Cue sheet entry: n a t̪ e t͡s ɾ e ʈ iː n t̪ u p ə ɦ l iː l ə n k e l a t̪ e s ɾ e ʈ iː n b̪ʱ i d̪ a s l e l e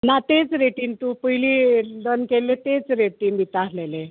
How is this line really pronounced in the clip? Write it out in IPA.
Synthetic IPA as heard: n a t̪ e t͡s ɾ e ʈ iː n t̪ u p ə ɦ l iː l ə n k e l e t̪ e t͡s ɾ e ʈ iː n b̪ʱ i t̪ a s l e l e

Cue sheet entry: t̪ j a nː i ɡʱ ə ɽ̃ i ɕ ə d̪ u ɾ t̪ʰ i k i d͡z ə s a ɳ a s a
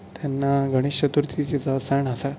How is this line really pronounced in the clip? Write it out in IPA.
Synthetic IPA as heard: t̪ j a nː a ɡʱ ə ɽ̃ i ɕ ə t̪ u ɾ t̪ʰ i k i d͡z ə s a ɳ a s a

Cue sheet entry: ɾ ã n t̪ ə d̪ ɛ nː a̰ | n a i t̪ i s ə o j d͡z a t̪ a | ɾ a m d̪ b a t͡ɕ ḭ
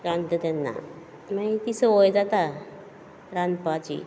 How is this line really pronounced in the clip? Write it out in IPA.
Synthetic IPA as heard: ɾ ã n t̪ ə t̪ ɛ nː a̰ | m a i t̪ i s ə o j d͡z a t̪ a | ɾ a n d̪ p a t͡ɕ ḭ

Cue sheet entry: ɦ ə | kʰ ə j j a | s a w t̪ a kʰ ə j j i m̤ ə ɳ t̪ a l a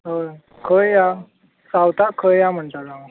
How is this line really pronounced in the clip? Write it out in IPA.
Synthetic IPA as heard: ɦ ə | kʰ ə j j a | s a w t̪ a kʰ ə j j a m̤ ə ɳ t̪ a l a

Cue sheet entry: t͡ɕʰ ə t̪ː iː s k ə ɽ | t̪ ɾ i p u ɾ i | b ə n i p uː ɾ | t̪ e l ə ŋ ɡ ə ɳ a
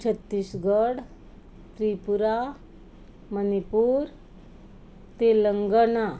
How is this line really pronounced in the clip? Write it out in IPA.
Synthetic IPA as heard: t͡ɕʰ ə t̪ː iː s ɡ ə ɽ | t̪ ɾ i p u ɾ a | m ə n i p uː ɾ | t̪ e l ə ŋ ɡ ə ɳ a

